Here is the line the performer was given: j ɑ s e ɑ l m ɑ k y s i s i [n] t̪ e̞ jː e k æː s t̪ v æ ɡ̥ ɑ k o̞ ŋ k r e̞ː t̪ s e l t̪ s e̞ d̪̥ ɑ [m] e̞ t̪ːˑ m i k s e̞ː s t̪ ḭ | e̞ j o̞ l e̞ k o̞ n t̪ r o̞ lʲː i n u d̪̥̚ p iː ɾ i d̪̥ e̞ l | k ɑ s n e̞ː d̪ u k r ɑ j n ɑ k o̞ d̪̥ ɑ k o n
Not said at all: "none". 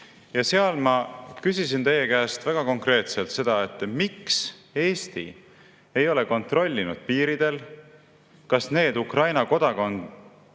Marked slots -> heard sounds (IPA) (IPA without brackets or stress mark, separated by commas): n, none